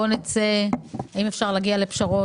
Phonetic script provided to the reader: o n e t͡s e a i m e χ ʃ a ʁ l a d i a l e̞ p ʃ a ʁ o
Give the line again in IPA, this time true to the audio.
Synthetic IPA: o n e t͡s e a i m e f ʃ a ʁ l a ɡ i a l e̞ p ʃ a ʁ o

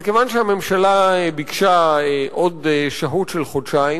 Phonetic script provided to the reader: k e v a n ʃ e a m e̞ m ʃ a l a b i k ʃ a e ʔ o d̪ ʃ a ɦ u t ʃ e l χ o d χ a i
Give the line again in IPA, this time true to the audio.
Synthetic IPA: k e v a n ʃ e a m e̞ m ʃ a l a b i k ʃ a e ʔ o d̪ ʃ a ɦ u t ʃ e l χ o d ʃ a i

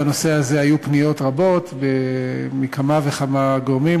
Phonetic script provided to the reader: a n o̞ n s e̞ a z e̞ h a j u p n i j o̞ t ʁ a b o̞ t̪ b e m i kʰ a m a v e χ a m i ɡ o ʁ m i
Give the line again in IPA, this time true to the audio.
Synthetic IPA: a n o̞ s e̞ a z e̞ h a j u p n i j o̞ t ʁ a b o̞ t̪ b e m i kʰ a m a v e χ a m a ɡ o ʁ m i

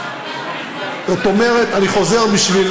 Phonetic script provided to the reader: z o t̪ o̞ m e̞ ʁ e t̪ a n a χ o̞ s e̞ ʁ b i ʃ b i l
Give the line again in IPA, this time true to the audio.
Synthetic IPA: z o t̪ o̞ m e̞ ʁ e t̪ a n i χ o̞ z e̞ ʁ b i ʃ v i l

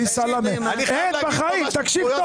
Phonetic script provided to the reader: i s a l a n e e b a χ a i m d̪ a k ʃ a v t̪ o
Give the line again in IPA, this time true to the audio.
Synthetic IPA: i s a l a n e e b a χ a i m t̪ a k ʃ i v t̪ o

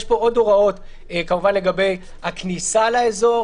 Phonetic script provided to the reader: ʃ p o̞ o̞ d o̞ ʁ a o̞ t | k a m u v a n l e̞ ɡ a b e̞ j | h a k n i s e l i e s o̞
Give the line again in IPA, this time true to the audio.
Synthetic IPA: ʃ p o̞ o̞ d o̞ ʁ a o̞ t | k a m u v a n l e̞ ɡ a b e̞ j | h a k n i s a l a e z o̞

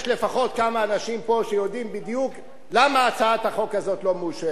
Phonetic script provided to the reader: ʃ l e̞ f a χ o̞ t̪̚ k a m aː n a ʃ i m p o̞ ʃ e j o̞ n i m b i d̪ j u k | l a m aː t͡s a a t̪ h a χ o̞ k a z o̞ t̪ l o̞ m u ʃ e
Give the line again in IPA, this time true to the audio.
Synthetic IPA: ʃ l e̞ f a χ o̞ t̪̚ k a m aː n a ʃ i m p o̞ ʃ e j o̞ d i m b i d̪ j u k | l a m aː t͡s a a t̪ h a χ o̞ k a z o̞ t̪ l o̞ m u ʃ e

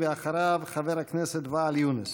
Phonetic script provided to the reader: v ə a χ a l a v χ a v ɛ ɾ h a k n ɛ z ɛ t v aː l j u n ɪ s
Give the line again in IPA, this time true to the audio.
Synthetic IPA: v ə a χ a ɾ a v χ a v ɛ ɾ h a k n ɛ s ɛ t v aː l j u n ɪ s

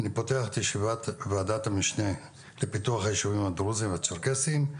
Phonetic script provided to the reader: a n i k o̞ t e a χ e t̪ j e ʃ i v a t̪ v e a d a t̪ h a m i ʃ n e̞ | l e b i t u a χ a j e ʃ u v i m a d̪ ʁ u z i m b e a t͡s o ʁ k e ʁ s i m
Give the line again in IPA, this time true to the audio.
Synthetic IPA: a n i p o̞ t e a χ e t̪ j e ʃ i v a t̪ v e a d a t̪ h a m i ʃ n e̞ | l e p i t u a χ a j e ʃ u v i m a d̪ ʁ u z i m v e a t͡s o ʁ k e s i m

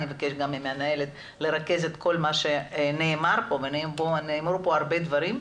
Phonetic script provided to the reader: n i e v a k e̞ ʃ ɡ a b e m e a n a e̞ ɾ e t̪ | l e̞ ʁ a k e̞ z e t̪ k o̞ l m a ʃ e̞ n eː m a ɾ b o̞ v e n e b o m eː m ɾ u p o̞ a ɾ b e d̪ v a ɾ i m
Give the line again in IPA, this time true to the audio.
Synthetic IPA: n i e v a k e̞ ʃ ɡ a m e m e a n a e̞ l e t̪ | l e̞ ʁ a k e̞ z e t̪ k o̞ l m a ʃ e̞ n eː m a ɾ p o̞ v e n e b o n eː m ɾ u p o̞ a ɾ b e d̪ v a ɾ i m

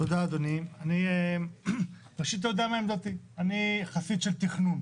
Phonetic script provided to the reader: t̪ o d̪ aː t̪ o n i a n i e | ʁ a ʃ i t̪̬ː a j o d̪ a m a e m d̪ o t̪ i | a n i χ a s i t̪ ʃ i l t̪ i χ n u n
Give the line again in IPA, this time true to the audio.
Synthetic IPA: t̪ o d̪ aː d̪ o n i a n i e | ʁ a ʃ i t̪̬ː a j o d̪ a m a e m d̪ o t̪ i | a n i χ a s i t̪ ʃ e l t̪ i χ n u n

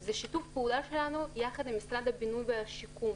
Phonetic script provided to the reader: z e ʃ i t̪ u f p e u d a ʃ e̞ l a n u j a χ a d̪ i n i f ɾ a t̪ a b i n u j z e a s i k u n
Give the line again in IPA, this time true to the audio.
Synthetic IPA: z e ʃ i t̪ u f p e u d a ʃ e̞ l a n u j a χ a d̪ i m i s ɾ a d̪ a b i n u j v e a ʃ i k u m

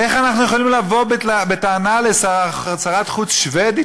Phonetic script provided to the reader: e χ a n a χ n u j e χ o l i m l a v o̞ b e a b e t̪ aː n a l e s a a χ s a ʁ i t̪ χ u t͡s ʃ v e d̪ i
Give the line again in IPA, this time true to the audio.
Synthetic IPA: e χ a n a χ n u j e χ o l i m l a v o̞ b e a b e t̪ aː n a l e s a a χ s a ʁ a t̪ χ u t͡s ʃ v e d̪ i

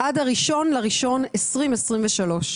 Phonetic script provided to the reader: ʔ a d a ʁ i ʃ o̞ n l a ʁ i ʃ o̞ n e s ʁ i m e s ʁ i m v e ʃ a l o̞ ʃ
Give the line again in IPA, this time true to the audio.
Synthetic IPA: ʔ a d a ʁ i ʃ o̞ n l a ʁ i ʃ o̞ n e s ʁ i m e s ʁ i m v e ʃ a l o̞ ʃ

